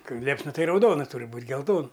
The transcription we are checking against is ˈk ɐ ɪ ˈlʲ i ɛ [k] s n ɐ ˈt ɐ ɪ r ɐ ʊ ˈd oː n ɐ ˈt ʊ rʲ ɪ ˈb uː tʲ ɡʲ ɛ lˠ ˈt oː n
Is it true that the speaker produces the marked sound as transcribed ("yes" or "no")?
no